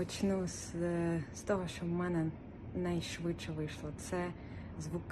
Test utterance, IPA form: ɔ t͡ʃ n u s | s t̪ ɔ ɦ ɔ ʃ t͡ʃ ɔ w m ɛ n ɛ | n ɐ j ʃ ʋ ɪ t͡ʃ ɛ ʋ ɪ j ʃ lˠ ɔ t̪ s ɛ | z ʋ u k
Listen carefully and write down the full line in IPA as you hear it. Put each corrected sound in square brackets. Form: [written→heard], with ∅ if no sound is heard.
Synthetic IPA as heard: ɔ t͡ʃ n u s | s t̪ ɔ ɦ ɔ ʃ t͡ʃ ɔ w m ɛ n ɛ | n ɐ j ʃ ʋ ɪ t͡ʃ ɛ ʋ ɪ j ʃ lˠ ɔ t̪ s ɛ | z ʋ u k